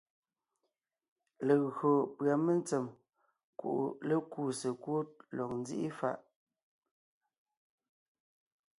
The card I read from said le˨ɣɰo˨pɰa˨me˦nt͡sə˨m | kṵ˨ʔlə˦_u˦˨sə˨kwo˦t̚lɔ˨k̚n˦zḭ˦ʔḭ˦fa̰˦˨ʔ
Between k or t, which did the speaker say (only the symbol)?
k